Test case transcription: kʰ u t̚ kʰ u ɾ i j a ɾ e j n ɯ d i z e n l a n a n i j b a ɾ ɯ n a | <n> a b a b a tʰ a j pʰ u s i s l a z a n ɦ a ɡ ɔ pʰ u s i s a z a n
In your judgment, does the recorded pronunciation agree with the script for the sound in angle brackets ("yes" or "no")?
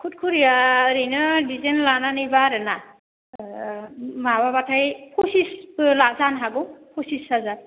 no